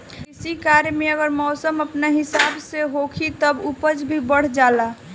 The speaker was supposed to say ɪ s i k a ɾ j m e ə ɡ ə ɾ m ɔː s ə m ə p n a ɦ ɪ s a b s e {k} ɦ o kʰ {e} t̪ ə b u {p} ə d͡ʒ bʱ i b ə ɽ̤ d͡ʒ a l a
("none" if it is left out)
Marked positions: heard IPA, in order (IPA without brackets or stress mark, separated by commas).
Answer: none, i, p